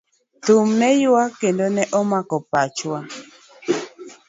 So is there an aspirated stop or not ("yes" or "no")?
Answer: no